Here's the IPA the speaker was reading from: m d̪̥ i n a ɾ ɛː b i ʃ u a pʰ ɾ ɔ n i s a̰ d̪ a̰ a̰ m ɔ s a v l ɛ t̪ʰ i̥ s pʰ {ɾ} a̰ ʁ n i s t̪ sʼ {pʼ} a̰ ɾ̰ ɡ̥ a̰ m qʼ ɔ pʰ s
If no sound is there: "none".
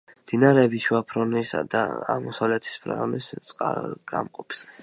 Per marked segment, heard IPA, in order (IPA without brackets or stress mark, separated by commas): ɾ, qʼ